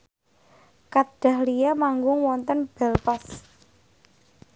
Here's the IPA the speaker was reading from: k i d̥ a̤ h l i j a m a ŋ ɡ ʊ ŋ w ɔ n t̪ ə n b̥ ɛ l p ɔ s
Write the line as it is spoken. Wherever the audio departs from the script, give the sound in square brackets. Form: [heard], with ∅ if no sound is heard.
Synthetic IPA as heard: k [a] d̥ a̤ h l i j a m a ŋ ɡ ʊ ŋ w ɔ n t̪ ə n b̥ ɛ l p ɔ s